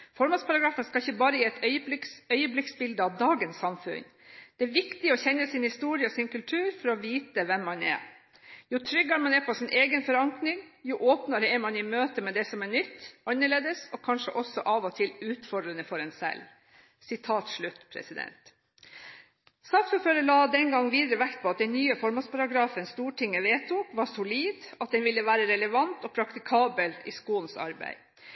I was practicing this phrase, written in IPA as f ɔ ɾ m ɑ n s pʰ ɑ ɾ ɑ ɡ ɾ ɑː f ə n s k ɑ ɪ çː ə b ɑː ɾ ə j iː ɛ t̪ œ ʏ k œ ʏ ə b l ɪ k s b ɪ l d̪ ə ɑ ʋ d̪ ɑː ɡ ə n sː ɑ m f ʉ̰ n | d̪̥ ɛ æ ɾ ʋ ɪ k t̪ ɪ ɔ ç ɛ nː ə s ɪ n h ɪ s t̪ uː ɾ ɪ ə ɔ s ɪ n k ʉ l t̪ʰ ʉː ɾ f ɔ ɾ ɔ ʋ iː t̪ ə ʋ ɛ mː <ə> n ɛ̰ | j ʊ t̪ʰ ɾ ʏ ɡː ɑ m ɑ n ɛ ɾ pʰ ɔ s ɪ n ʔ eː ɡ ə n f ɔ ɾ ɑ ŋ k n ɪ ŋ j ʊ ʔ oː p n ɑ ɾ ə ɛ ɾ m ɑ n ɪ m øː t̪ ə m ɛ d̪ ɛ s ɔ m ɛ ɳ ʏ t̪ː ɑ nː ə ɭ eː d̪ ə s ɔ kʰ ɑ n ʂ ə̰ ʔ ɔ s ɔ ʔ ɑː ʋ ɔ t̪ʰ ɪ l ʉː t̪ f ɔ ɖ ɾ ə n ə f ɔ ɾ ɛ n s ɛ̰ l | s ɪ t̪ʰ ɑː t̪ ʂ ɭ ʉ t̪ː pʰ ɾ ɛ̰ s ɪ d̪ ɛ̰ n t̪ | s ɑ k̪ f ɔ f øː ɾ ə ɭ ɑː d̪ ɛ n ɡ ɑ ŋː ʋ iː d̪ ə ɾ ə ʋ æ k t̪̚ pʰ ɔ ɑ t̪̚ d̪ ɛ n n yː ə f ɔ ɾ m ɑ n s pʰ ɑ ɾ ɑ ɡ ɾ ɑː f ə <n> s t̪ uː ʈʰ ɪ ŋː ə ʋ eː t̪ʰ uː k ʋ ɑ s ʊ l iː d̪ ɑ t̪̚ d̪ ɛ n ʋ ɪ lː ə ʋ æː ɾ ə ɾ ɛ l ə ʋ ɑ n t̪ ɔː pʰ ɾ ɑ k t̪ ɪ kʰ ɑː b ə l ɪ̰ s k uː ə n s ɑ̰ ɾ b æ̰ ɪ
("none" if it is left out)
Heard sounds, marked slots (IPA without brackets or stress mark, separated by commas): ɑ, n